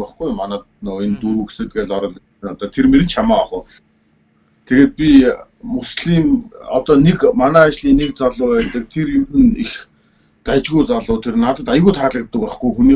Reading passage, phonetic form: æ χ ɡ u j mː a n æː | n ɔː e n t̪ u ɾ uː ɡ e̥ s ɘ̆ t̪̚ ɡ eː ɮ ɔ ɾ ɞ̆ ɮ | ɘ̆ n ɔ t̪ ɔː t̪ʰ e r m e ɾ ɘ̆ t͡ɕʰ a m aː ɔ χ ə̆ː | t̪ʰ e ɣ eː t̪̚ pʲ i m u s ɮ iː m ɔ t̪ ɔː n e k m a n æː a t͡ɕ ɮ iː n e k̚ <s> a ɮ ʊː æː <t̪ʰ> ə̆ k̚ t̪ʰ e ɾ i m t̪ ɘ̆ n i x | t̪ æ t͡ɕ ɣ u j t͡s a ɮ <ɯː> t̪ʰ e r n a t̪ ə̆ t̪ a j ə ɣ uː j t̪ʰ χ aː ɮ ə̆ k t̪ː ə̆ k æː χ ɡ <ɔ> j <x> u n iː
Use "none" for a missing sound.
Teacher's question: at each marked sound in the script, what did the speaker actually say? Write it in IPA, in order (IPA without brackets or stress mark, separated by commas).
t͡s, t̪, ʊː, u, x